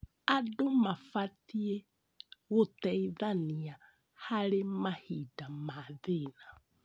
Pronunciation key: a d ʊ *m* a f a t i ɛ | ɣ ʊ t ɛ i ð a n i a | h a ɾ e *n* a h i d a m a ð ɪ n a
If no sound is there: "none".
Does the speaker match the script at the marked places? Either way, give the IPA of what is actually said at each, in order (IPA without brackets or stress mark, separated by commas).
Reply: m, m